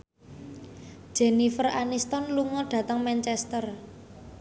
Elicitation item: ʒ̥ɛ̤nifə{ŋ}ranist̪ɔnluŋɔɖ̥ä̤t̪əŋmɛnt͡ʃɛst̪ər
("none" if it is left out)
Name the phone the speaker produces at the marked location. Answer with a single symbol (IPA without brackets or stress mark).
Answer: none